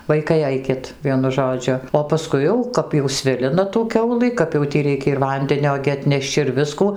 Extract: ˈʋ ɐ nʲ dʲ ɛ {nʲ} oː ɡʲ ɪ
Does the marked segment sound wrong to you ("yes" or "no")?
no